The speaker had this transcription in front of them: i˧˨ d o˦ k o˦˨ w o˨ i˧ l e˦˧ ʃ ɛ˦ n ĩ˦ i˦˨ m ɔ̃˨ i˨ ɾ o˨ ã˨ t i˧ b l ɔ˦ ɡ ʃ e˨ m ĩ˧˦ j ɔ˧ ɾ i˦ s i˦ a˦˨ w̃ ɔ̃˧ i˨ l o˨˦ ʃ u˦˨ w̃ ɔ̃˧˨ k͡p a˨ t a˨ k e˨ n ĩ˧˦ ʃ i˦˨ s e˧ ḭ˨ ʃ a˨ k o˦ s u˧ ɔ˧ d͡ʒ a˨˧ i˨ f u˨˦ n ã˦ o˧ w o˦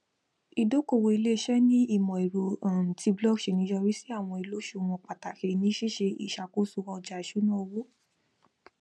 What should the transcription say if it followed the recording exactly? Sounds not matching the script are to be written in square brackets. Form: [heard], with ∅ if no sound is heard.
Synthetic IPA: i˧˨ d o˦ k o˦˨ w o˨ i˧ l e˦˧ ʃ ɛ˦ n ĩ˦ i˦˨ m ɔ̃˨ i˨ ɾ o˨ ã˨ t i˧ b l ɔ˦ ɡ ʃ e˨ [n] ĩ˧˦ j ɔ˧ ɾ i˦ s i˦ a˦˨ w̃ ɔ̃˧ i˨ l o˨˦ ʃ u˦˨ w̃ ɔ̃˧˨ k͡p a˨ t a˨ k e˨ n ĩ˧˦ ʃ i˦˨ [ʃ] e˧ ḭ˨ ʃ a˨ k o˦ s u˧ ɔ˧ d͡ʒ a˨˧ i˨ [ʃ] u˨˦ n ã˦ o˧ w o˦

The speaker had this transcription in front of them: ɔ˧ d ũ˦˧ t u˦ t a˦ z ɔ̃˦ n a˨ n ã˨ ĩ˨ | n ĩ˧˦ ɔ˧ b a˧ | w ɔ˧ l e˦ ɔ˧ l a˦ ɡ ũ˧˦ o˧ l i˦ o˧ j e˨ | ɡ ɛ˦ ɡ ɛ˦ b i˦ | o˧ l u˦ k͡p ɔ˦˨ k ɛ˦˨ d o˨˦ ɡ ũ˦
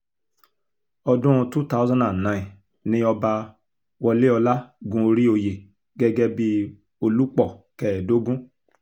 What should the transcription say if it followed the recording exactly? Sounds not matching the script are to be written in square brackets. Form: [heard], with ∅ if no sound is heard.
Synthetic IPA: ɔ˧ d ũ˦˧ t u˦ t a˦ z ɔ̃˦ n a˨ n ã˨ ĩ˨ | n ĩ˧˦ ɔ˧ b a˧ | w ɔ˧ l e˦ ɔ˧ l a˦ ɡ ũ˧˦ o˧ [ɾ] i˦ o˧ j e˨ | ɡ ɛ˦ ɡ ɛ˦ b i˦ | o˧ l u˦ k͡p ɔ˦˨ k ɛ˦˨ d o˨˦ ɡ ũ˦

